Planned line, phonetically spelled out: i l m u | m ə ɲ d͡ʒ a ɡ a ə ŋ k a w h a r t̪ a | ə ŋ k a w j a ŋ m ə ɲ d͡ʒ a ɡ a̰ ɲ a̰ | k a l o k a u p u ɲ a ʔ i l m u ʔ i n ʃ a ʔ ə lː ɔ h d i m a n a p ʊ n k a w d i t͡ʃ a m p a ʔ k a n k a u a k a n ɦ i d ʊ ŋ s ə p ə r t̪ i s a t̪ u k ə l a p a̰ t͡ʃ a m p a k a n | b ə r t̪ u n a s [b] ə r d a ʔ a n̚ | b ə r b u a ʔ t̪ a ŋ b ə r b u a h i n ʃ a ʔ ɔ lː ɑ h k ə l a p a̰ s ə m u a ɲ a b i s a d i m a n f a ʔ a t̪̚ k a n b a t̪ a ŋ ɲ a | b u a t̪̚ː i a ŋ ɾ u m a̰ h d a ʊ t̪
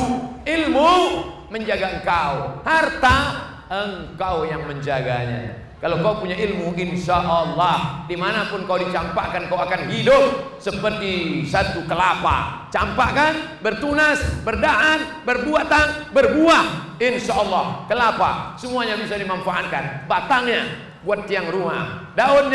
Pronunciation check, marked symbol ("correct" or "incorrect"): correct